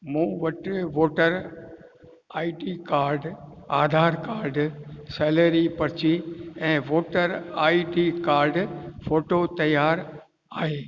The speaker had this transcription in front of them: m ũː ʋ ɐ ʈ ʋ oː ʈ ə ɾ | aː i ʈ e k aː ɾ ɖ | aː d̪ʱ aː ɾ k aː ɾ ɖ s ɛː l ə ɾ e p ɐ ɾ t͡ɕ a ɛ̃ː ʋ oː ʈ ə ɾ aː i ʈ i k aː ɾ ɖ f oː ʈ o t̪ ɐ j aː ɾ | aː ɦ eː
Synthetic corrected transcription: m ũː ʋ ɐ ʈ ʋ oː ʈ ə ɾ | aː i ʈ i k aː ɾ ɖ | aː d̪ʱ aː ɾ k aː ɾ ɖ s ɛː l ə ɾ i p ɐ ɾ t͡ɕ i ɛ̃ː ʋ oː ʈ ə ɾ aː i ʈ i k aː ɾ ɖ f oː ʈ o t̪ ɐ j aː ɾ | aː ɦ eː